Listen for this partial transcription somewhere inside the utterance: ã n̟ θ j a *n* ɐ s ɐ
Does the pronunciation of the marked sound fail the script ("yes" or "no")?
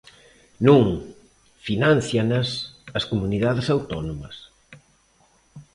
no